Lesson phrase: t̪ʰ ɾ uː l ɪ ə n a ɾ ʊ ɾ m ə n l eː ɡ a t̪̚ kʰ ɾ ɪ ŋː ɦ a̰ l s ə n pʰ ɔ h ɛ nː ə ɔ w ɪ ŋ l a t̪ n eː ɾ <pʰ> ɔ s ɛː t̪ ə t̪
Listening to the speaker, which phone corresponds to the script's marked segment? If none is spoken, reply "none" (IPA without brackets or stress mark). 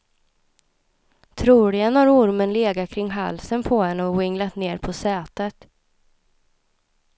pʰ